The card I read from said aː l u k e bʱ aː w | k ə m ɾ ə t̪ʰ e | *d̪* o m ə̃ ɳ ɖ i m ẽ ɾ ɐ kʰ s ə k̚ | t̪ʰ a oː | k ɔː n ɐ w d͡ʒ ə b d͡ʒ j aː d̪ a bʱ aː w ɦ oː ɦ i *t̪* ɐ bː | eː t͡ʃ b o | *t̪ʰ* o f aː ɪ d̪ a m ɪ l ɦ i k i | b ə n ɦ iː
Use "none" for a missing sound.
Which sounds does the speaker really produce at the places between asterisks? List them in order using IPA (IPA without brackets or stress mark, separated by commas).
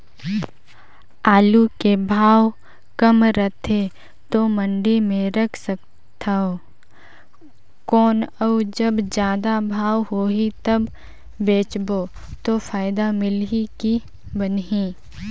t̪, t̪, t̪